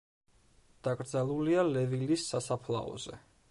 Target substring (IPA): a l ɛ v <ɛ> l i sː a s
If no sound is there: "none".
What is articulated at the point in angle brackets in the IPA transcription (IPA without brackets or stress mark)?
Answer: i